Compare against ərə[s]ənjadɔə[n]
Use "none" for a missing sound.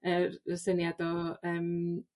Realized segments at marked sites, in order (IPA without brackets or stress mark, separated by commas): s, m